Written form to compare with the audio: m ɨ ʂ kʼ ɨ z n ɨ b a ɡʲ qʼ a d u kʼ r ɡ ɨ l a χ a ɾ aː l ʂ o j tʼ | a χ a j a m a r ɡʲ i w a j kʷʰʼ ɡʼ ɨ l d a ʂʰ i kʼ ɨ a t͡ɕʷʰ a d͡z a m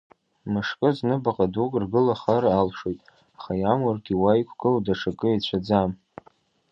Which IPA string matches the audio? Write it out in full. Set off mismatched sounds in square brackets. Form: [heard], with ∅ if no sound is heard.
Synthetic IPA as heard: m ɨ ʂ kʼ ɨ z n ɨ b a [∅] qʼ a d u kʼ r ɡ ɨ l a χ a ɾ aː l ʂ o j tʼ | a χ a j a m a r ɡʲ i w a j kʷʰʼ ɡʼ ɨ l d a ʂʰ [a] kʼ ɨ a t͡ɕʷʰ a d͡z a m